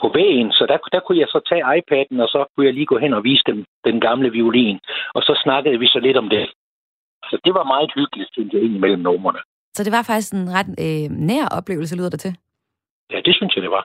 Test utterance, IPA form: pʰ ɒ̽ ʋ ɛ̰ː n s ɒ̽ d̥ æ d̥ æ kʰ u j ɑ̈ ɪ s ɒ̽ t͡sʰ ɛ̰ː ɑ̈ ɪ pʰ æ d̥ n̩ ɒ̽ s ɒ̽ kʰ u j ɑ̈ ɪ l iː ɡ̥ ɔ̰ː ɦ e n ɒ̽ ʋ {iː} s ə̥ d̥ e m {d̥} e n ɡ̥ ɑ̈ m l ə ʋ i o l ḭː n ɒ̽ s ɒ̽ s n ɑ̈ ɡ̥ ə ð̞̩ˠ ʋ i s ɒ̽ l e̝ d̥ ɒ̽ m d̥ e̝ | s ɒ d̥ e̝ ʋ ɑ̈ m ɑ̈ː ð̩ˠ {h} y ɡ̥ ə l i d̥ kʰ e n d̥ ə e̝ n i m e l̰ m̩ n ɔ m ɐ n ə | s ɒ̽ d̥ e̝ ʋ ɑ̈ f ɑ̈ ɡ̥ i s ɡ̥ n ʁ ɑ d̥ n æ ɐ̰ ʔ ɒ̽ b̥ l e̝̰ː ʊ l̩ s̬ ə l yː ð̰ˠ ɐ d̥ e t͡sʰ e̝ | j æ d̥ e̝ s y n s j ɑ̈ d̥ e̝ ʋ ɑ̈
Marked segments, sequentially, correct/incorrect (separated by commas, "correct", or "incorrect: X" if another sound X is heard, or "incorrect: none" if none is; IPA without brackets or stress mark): correct, correct, correct